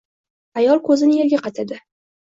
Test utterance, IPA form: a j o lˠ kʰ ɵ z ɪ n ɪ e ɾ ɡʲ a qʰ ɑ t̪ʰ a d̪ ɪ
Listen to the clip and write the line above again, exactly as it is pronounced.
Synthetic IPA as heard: a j ɒ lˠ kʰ ɵ z ɪ n ɪ e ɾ ɡʲ a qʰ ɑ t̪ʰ a d̪ ɪ